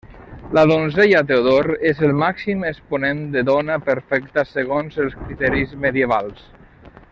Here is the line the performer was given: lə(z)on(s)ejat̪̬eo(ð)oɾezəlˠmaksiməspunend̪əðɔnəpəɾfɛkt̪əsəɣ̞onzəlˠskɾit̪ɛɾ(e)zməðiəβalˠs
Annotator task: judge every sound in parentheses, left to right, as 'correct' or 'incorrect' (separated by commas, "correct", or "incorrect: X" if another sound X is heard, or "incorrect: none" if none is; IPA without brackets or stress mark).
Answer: incorrect: ð, incorrect: z, correct, incorrect: i